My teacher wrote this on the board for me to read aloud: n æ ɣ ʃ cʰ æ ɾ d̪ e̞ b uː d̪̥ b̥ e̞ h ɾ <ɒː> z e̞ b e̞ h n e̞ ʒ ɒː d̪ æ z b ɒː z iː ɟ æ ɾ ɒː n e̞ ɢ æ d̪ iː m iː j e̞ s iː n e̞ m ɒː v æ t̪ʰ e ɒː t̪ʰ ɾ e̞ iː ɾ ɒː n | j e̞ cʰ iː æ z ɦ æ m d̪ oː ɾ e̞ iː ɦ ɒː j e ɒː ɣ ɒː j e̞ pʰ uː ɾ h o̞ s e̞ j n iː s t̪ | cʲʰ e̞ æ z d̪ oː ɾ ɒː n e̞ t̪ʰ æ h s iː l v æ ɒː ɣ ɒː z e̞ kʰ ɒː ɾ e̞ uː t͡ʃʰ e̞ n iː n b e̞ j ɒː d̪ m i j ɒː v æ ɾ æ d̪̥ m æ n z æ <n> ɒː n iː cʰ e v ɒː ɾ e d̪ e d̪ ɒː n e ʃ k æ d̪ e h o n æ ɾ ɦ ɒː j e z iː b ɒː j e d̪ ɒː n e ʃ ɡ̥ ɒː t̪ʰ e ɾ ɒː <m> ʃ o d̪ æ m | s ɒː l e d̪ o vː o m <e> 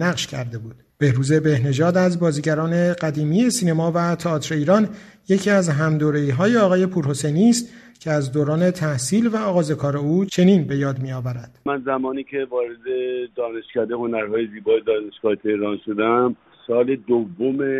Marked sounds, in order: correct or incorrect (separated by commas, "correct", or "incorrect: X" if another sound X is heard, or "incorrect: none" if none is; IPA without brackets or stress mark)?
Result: incorrect: uː, incorrect: m, incorrect: n, correct